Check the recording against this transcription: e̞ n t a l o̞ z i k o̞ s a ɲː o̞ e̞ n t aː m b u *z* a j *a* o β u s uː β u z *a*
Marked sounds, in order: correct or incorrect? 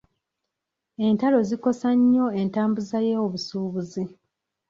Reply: correct, incorrect: e, incorrect: i

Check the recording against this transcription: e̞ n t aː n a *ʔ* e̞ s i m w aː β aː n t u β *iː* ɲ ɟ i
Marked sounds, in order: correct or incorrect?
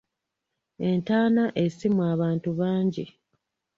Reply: correct, incorrect: aː

